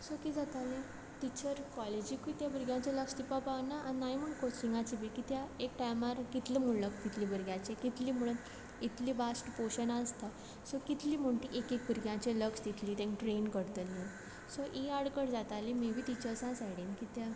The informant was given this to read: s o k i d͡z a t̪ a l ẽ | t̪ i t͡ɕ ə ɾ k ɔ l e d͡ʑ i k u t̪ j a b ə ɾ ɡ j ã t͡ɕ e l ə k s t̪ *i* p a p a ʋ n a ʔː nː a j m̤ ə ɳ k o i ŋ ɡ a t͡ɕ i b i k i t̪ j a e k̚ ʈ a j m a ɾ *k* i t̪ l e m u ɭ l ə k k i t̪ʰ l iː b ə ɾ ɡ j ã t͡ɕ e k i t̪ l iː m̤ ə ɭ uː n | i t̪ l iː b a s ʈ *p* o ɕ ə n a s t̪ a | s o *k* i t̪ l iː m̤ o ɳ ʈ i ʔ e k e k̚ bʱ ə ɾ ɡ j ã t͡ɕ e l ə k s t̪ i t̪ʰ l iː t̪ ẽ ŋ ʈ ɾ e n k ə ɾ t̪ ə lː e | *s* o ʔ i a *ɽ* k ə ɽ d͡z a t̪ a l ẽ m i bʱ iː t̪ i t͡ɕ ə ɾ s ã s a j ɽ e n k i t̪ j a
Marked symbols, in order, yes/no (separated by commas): yes, yes, yes, yes, yes, yes